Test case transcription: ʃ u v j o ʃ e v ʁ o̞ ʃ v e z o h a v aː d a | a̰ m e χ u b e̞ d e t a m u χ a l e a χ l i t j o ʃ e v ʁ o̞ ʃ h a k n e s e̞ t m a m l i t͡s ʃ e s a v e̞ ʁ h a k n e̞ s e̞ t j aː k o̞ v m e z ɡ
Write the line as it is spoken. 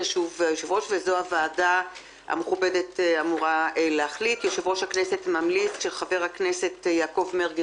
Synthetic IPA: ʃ u v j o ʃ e v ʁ o̞ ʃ v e z o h a v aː d a | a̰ m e χ u b e̞ d e t a m u ʁ a l e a χ l i t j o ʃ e v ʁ o̞ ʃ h a k n e s e̞ t m a m l i t͡s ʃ e χ a v e̞ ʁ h a k n e̞ s e̞ t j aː k o̞ v m e ʁ ɡ